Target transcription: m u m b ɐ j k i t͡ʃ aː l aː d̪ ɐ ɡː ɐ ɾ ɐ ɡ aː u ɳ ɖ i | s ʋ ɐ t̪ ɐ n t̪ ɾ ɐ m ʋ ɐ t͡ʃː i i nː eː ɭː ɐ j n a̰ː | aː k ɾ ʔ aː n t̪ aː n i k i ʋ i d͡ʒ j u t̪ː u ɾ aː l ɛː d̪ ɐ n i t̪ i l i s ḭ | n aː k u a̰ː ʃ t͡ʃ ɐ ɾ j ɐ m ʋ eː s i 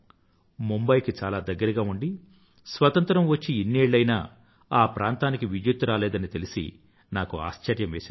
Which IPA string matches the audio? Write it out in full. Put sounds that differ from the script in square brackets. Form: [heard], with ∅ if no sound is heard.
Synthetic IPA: m u m b ɐ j k i t͡ʃ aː l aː d̪ ɐ ɡː ɐ ɾ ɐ ɡ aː u ɳ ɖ i | s ʋ ɐ t̪ ɐ n t̪ ɾ ɐ m ʋ ɐ t͡ʃː i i nː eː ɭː ɐ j n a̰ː | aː [p] ɾ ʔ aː n t̪ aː n i k i ʋ i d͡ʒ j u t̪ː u ɾ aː l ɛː d̪ ɐ n i t̪ [e] l i s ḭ | n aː k u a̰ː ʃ t͡ʃ ɐ ɾ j ɐ m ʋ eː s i